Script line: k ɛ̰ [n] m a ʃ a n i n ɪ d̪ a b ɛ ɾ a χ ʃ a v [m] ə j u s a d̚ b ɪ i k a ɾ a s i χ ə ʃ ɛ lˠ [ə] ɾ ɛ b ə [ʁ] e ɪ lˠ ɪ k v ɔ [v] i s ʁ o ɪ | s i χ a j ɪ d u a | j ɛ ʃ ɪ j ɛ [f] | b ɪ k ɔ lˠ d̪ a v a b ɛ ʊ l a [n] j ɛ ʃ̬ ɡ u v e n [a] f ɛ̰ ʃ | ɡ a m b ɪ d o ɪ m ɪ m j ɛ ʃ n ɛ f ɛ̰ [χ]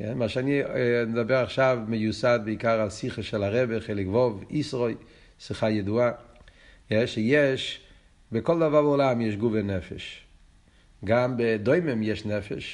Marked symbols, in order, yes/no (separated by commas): yes, yes, no, no, yes, no, no, no, no